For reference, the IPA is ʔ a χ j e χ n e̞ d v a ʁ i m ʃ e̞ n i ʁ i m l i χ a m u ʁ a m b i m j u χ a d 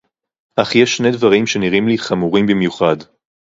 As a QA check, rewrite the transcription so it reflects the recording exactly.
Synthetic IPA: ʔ a χ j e ʃ n e̞ d v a ʁ i m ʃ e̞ n i ʁ i m l i χ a m u ʁ i m b i m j u χ a d